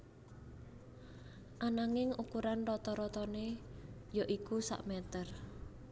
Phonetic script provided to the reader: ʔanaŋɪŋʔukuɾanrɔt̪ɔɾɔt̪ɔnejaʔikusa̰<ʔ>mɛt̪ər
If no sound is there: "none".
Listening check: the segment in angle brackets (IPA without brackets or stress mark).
ʔ